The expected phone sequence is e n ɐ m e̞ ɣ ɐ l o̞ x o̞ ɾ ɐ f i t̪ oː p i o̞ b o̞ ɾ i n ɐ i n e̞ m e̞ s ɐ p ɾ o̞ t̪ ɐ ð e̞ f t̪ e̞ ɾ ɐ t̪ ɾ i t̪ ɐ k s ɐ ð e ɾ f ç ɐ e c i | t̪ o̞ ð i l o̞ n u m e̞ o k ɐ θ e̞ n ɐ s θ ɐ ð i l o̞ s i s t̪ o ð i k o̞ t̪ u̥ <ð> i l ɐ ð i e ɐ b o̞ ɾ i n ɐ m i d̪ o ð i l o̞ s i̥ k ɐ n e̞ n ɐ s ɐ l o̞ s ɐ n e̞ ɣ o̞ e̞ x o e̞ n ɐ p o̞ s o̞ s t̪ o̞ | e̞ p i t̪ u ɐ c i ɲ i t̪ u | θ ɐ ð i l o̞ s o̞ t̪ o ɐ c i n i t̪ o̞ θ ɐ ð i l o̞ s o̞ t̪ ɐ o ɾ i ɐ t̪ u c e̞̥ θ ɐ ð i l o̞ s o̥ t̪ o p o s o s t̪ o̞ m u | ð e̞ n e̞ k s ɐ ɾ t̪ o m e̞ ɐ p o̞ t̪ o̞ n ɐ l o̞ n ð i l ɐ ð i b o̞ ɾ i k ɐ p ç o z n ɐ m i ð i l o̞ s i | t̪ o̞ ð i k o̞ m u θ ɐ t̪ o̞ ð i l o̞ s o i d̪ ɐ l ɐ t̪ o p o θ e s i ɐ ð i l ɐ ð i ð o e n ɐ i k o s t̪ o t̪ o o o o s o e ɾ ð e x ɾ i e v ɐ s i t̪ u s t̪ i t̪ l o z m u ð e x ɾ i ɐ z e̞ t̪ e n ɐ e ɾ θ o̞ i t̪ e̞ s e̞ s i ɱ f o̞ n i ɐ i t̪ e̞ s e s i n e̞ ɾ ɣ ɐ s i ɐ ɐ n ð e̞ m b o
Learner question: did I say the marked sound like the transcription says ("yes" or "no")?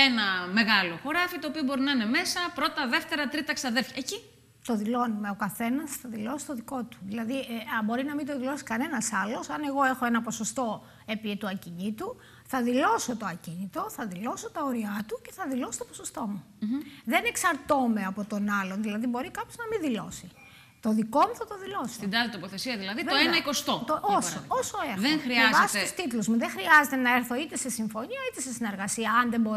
yes